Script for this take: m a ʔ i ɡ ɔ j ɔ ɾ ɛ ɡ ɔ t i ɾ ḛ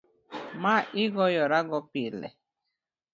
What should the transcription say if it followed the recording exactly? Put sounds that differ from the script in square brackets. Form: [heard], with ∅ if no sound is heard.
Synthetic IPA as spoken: m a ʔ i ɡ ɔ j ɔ ɾ [a] ɡ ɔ [p] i [l] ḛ